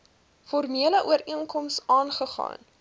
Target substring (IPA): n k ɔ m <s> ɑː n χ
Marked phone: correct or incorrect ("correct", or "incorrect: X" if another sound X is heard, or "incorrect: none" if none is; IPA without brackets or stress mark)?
correct